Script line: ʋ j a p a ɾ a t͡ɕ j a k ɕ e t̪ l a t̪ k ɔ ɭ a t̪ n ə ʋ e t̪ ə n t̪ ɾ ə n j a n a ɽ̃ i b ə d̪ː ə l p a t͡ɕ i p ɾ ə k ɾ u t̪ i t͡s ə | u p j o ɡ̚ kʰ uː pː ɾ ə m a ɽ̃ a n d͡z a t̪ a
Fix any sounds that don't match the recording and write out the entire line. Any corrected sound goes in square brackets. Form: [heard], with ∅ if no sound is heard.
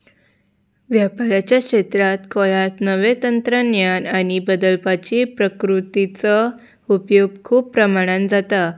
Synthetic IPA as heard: ʋ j a p a ɾ a t͡ɕ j a k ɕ e t̪ [ɾ] a t̪ k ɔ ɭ a t̪ n ə ʋ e t̪ ə n t̪ ɾ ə n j a n a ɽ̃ i b ə [d̪] ə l p a t͡ɕ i p ɾ ə k ɾ u t̪ i t͡s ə | u p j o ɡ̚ kʰ uː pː ɾ ə m a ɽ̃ a n d͡z a t̪ a